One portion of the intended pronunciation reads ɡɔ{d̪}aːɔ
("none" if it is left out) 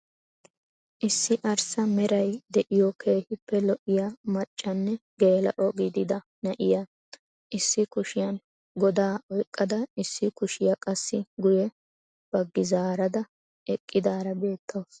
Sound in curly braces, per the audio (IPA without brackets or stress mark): d̪